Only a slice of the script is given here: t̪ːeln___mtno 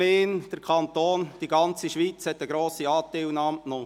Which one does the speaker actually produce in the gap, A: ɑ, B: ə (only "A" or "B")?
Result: A